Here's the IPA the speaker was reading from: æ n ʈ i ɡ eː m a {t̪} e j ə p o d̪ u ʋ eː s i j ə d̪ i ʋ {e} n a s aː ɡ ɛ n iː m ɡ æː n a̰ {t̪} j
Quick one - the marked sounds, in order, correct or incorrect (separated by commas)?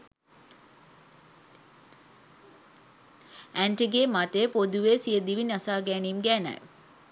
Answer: correct, incorrect, incorrect